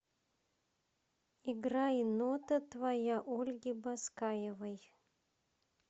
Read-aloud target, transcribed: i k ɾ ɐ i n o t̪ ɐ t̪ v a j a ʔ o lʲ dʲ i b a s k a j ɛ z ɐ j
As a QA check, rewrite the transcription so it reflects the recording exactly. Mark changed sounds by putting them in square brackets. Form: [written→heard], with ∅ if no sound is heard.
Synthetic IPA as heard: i [k→ɡ] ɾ [ɐ→a] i n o t̪ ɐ t̪ v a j a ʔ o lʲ [dʲ→ɡʲ] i b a s k a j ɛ [z→v] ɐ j